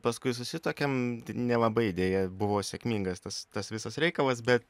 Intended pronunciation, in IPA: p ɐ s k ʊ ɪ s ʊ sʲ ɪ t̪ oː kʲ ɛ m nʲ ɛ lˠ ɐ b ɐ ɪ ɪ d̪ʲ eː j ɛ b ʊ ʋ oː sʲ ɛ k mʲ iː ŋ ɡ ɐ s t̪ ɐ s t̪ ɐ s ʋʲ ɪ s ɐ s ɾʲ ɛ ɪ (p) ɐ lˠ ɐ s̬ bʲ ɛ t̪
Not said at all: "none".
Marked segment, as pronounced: k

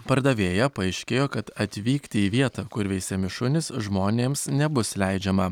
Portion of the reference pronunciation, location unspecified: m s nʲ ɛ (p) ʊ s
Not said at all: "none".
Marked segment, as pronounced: b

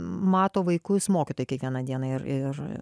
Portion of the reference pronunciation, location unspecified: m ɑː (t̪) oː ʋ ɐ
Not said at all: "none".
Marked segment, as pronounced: t̪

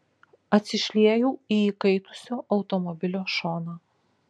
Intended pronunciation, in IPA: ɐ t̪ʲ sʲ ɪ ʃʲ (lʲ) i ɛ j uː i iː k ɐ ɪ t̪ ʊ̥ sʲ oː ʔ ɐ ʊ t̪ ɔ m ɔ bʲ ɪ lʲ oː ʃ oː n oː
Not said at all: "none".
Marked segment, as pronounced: lʲ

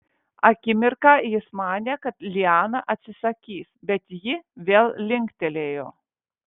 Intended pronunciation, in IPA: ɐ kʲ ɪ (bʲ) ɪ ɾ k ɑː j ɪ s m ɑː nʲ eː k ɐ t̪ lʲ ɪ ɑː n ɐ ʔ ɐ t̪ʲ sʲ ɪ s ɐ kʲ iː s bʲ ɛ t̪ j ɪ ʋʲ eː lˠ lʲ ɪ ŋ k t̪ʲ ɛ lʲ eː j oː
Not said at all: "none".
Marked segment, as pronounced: mʲ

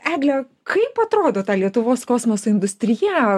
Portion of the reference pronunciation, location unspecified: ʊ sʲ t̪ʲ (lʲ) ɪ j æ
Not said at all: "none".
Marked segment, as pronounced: ɾʲ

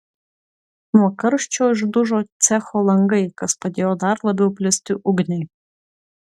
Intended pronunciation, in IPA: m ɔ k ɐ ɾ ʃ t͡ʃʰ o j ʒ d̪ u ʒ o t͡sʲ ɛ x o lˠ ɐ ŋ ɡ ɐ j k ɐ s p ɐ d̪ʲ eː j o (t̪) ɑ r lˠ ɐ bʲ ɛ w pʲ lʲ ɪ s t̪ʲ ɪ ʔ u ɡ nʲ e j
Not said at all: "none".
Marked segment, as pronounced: d̪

